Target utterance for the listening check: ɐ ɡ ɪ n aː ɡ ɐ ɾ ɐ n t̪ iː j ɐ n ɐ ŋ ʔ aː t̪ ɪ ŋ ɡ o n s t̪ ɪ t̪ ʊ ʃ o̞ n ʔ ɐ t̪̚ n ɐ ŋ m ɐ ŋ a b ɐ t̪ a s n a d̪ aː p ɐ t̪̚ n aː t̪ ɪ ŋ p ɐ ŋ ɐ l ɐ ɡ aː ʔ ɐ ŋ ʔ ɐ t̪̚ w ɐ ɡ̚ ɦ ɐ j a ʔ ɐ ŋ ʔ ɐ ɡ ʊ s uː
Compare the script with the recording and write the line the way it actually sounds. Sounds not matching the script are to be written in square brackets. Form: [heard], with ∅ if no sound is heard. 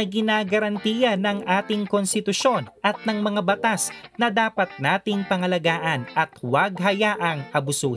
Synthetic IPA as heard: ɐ ɡ ɪ n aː ɡ ɐ ɾ ɐ n t̪ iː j ɐ n ɐ ŋ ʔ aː t̪ ɪ ŋ [k] o n s t̪ ɪ t̪ ʊ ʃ o̞ n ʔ ɐ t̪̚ n ɐ ŋ m ɐ ŋ a b ɐ t̪ a s n [ɐ] d̪ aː p ɐ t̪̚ n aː t̪ ɪ ŋ p ɐ ŋ ɐ l ɐ ɡ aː ʔ ɐ [n] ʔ ɐ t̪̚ w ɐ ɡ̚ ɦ ɐ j a ʔ ɐ ŋ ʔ ɐ [b] ʊ s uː